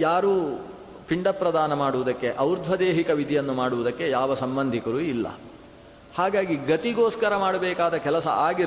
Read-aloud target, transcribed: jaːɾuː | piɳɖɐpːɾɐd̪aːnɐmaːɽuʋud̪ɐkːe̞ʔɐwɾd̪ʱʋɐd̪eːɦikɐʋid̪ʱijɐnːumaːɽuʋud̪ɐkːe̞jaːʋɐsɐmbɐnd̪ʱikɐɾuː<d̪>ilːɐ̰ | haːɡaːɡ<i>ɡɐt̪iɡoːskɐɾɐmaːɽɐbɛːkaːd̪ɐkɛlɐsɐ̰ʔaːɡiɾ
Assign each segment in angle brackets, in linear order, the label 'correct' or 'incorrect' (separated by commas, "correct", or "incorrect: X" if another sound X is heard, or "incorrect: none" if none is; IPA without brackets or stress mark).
incorrect: none, correct